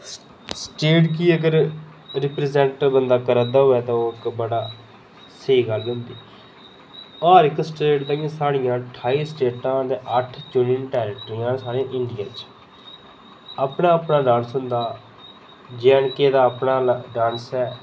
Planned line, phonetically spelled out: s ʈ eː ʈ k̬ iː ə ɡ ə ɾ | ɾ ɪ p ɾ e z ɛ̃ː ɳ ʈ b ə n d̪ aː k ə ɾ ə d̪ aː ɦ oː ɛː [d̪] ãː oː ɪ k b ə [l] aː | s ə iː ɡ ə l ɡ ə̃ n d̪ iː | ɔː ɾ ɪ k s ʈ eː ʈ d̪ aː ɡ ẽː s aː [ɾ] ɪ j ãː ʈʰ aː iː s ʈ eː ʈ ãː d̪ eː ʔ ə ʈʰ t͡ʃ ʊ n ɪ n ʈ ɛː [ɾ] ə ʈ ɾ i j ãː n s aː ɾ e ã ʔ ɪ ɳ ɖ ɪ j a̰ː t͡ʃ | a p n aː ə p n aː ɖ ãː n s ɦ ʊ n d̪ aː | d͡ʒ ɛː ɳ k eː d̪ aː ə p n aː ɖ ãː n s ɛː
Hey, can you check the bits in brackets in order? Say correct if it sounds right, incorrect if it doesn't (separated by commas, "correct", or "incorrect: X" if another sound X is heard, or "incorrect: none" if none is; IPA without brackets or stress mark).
incorrect: t̪, incorrect: ɽ, incorrect: ɽ, correct